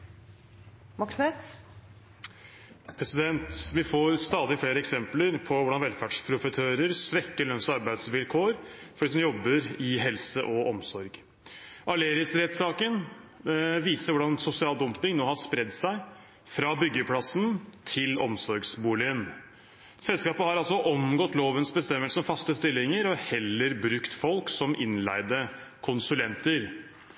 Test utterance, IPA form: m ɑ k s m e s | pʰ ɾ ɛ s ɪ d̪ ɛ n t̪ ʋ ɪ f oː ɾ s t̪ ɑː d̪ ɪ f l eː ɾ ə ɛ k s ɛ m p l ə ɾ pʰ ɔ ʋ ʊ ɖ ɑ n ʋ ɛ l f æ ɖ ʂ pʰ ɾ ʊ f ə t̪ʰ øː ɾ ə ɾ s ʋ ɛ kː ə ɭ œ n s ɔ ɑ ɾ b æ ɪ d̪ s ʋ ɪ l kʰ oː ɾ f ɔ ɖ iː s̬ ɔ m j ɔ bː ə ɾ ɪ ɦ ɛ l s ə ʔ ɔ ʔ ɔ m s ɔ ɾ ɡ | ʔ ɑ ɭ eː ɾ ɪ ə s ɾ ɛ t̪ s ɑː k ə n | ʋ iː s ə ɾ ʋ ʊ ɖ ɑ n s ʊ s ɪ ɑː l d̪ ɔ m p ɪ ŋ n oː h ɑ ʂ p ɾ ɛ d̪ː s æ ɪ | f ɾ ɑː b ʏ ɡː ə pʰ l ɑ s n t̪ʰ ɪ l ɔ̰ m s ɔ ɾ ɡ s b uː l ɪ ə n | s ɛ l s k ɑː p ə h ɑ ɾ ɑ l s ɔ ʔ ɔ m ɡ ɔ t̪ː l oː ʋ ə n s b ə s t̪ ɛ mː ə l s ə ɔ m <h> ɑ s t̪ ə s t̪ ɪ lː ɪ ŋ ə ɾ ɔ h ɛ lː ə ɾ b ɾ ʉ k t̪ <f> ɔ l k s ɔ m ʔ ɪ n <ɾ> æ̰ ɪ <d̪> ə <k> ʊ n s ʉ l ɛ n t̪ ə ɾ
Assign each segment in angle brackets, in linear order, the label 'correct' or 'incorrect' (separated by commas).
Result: incorrect, correct, incorrect, correct, incorrect